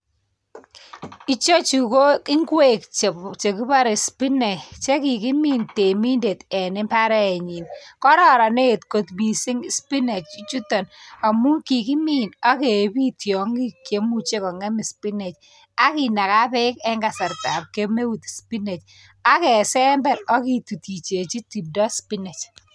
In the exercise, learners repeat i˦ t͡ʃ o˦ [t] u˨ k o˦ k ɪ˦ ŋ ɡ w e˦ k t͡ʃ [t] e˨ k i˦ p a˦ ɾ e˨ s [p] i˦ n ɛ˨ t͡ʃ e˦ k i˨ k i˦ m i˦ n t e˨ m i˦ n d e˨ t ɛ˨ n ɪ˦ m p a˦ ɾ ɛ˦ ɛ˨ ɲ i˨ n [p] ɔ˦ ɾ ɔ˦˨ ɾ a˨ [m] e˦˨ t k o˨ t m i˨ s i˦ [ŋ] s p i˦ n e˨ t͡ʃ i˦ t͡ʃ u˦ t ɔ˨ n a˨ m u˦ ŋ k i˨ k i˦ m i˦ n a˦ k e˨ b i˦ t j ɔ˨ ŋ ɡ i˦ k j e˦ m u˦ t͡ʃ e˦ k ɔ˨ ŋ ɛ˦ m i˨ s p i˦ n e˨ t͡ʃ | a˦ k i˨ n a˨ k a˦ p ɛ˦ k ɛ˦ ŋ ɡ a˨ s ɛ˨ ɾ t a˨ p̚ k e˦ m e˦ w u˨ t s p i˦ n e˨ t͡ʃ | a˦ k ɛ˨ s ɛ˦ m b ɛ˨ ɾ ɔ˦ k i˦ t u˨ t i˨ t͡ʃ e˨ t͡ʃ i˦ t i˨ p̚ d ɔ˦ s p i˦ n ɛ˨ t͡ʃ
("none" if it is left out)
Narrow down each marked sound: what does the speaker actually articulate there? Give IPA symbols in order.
t͡ʃ, t͡ʃ, p, k, n, ŋ

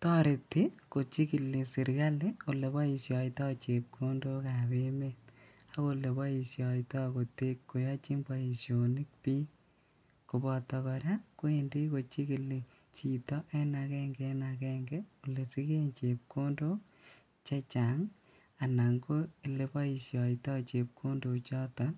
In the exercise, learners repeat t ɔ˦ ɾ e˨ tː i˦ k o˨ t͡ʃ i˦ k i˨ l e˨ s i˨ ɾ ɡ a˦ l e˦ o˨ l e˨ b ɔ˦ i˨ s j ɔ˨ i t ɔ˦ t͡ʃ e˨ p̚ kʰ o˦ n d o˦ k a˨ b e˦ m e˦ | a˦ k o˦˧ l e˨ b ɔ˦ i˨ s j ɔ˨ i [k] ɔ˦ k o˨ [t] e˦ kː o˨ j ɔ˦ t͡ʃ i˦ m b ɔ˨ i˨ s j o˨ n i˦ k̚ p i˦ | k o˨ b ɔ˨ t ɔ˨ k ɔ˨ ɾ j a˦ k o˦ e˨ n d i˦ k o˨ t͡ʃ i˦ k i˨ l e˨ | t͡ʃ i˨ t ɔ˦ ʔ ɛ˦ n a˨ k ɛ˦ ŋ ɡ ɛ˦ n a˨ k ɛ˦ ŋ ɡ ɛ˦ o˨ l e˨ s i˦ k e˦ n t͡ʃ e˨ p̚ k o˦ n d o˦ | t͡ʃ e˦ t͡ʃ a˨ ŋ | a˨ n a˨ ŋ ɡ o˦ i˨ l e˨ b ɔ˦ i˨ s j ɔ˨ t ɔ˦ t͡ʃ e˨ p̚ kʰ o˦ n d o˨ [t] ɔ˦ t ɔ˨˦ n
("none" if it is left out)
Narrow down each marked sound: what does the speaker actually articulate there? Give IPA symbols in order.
t, t, t͡ʃ

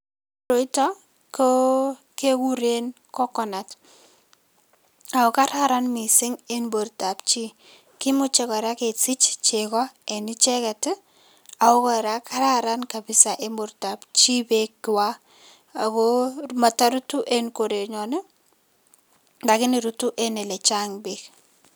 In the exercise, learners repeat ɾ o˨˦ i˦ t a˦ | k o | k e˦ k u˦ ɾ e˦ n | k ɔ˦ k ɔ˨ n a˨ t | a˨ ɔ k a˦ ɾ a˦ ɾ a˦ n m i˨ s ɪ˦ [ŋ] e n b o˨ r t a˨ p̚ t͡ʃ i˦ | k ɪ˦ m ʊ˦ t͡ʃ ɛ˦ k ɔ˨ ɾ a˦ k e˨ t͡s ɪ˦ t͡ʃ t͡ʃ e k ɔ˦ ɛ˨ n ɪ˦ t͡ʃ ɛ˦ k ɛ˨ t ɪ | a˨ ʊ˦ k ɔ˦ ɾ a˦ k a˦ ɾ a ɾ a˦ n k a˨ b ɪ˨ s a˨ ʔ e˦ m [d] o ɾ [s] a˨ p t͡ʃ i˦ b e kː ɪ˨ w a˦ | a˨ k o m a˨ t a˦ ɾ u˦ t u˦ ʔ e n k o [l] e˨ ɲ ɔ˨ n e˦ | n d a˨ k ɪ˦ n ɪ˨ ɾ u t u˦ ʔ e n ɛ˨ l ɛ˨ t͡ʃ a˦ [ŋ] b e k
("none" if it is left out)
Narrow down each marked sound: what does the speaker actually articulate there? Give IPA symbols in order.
ŋ, b, t, ɾ, ŋ

